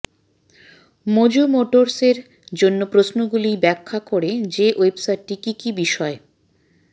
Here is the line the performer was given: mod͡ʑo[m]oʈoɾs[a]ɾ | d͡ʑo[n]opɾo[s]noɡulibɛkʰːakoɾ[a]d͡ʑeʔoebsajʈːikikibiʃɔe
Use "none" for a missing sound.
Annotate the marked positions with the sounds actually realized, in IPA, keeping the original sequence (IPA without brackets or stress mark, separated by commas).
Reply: m, e, nː, s, e